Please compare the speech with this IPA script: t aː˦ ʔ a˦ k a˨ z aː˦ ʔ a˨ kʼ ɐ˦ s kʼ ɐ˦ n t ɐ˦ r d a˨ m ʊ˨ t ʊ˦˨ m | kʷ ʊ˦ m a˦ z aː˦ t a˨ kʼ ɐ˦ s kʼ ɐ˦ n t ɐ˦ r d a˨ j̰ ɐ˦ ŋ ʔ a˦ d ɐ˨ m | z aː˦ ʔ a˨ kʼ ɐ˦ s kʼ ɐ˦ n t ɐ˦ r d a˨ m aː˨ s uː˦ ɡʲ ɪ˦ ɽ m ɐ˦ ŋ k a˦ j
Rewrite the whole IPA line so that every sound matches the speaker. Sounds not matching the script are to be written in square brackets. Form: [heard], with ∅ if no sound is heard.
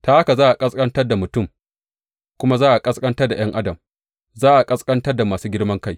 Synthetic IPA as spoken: t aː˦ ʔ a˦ k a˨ z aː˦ ʔ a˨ kʼ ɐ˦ s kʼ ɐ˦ n t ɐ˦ r d a˨ m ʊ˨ t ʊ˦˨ m | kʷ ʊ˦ m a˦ z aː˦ [ʔ] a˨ kʼ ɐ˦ s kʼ ɐ˦ n t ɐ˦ r d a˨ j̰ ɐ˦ ŋ ʔ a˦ d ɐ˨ m | z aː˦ ʔ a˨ kʼ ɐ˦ s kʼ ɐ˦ n t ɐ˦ r d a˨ m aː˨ s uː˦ ɡʲ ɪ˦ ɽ m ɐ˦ ŋ k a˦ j